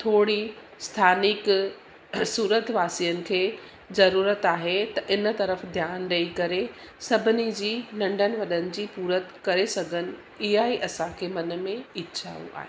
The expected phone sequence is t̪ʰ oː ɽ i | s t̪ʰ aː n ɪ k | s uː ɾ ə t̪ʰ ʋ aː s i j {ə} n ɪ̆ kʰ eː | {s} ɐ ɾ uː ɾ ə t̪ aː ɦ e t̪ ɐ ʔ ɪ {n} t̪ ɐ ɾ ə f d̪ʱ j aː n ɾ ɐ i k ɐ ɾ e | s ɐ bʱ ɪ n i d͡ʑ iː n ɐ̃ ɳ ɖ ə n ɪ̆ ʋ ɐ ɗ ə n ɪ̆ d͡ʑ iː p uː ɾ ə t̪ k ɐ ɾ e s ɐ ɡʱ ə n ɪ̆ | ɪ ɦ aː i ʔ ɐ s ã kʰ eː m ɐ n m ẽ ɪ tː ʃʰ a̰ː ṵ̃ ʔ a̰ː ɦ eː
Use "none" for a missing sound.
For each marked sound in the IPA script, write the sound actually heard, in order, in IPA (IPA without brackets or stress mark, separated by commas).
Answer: ə, z, n